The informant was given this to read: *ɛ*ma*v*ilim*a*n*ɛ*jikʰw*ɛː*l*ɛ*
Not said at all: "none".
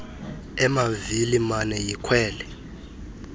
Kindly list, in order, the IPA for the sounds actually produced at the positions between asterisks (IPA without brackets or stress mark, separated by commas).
ɛ, v, a, ɛ, ɛː, ɛ